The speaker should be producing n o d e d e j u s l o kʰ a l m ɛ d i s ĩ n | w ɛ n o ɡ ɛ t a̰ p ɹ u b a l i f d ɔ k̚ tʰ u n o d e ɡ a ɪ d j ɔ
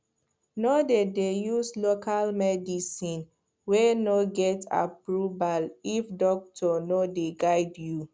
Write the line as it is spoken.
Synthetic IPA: n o d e d e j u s l o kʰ a l m ɛ d i s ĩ n | w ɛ n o ɡ ɛ t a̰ p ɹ u b a l i f d ɔ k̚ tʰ ɔ n o d e ɡ a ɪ d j u